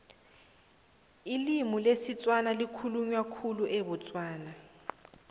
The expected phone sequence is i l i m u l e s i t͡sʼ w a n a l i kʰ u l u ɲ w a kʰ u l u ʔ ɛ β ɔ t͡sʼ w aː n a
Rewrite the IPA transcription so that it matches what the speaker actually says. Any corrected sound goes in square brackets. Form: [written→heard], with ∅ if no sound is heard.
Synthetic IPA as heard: i l i m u l e s i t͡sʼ w a n a l i kʰ u l u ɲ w a kʰ u l u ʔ ɛ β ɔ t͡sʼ w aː n a